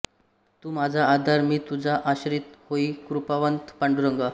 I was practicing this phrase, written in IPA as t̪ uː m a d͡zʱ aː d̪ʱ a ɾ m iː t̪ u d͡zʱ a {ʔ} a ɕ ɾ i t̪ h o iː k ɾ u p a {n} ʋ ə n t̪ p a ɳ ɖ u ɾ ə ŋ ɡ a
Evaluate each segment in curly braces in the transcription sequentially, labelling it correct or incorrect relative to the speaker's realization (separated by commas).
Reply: correct, incorrect